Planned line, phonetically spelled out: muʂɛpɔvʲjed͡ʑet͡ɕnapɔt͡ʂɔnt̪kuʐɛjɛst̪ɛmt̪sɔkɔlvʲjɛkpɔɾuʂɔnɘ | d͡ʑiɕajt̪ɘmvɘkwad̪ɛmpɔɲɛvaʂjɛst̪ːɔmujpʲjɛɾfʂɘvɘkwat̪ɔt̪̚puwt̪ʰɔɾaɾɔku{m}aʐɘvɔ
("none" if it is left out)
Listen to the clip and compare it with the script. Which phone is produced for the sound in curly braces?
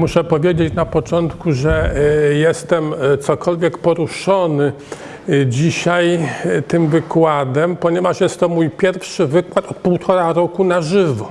n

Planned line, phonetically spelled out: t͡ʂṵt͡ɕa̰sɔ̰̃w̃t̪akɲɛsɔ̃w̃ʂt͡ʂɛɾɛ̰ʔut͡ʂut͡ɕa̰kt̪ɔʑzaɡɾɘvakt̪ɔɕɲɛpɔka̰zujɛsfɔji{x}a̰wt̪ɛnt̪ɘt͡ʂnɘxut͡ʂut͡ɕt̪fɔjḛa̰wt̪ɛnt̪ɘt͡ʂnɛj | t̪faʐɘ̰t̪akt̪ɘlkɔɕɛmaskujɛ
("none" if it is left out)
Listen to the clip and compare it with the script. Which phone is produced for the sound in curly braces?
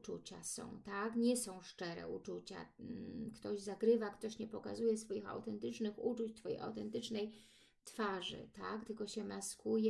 x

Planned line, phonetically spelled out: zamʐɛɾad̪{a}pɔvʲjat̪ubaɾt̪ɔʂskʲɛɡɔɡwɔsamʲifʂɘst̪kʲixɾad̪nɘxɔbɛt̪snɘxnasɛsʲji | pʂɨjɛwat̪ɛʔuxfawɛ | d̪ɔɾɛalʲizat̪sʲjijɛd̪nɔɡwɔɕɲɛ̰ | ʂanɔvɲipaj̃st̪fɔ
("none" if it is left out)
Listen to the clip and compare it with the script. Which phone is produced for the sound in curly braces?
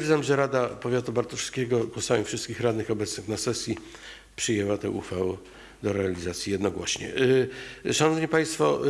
a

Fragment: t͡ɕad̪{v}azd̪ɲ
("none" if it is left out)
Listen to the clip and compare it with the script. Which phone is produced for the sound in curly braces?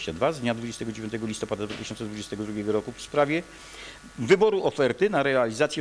v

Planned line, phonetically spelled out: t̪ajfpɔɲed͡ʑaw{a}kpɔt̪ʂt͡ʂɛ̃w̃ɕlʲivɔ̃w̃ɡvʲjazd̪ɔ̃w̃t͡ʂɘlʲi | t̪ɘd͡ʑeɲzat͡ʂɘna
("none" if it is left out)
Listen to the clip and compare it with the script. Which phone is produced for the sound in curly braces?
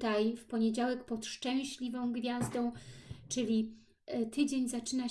ɛ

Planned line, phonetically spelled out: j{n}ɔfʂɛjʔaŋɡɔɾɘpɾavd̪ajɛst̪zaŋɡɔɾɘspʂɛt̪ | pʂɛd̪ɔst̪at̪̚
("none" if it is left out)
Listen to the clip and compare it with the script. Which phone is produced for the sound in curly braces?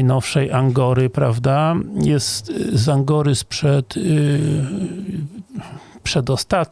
n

